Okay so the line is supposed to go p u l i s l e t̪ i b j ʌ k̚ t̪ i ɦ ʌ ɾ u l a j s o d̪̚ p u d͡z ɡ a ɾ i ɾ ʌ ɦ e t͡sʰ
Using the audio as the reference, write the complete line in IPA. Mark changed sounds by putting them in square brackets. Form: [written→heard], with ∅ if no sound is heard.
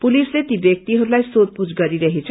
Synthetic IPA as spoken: p u l i s l e t̪ i b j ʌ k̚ t̪ i ɦ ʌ ɾ u l a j s o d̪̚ p u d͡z ɡ [a→ʌ] ɾ i ɾ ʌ ɦ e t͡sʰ